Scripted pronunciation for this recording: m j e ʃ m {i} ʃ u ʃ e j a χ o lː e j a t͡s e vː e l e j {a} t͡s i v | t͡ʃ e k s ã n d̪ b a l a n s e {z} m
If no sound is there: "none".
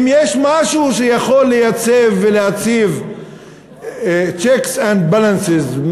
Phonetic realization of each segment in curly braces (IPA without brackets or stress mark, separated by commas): a, a, z